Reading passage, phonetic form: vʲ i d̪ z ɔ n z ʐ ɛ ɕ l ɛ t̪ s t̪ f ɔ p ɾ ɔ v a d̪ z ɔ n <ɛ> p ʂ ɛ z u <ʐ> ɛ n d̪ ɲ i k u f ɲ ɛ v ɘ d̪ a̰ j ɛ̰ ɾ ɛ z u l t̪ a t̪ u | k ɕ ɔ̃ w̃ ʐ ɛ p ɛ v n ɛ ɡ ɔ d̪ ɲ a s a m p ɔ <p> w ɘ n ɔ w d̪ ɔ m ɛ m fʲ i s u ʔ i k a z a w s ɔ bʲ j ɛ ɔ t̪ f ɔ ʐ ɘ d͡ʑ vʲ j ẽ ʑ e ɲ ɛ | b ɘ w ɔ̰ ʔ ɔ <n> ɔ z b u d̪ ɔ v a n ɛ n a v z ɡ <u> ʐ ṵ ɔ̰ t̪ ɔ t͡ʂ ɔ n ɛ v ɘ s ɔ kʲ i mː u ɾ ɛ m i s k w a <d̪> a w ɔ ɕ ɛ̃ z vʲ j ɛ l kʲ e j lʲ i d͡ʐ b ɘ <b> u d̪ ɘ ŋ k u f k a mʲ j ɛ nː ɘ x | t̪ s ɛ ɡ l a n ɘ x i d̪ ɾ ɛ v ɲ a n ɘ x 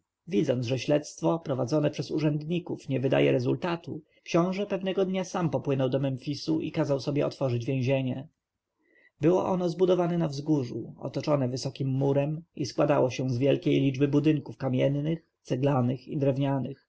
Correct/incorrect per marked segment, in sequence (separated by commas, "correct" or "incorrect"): correct, correct, correct, correct, correct, correct, correct